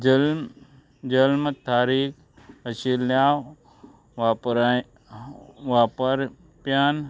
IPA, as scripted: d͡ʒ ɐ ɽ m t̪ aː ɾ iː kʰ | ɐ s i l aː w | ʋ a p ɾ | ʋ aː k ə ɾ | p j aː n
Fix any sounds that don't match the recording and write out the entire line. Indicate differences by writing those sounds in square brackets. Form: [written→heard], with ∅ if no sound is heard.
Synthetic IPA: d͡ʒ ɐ [ɽ→l] m t̪ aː ɾ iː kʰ | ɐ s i l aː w | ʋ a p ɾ | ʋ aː [k→p] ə ɾ | p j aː n